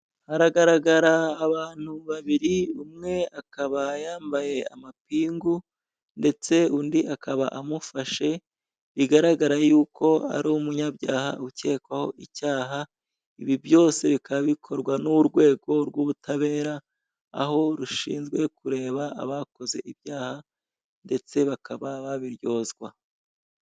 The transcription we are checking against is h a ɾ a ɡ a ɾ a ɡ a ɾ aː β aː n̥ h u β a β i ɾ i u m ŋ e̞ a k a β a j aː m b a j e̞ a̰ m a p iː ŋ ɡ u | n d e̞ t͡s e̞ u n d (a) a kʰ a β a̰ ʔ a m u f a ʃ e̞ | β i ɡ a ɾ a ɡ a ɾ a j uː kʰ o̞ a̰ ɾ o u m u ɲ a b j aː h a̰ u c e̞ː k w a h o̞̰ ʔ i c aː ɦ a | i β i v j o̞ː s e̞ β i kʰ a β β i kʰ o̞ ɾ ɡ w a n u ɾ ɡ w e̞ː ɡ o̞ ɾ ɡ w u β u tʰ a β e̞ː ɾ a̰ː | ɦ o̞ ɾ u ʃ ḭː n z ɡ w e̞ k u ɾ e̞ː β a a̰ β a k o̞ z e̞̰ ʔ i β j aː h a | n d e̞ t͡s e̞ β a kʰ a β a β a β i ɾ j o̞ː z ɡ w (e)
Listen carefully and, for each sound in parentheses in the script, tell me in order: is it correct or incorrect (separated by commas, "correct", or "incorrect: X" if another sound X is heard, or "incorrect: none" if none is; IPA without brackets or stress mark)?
incorrect: i, incorrect: a